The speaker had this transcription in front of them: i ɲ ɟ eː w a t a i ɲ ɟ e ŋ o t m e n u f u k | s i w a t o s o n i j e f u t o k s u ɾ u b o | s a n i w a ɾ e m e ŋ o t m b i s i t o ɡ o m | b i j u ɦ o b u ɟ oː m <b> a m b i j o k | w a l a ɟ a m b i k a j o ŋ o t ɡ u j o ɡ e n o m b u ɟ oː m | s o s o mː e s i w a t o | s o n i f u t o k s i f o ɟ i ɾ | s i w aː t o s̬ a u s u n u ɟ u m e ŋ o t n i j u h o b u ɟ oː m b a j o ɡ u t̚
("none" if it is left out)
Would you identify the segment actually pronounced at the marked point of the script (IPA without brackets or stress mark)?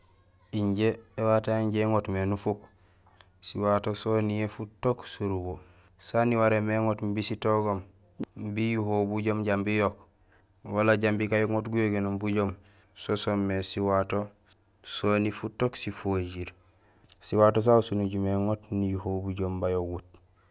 ɟ